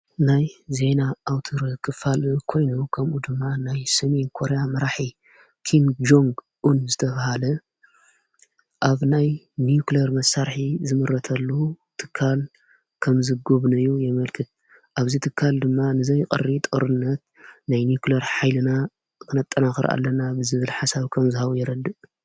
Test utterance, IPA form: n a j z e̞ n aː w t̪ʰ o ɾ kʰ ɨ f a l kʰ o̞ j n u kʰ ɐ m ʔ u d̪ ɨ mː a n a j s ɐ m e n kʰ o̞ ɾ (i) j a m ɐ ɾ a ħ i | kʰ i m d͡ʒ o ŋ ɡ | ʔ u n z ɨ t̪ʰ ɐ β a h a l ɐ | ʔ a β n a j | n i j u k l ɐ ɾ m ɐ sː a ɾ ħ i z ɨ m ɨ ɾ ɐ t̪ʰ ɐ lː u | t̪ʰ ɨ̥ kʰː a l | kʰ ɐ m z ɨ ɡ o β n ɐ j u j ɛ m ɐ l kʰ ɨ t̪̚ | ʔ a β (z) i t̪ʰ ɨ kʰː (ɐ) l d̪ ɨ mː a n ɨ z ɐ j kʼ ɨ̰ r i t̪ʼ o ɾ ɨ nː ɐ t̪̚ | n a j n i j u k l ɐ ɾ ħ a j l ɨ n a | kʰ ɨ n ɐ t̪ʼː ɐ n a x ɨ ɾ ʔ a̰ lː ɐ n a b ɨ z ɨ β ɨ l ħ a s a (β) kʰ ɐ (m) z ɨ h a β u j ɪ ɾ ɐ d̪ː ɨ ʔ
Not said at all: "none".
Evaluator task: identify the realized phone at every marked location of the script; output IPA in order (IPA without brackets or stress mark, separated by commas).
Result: e, z, a, β, m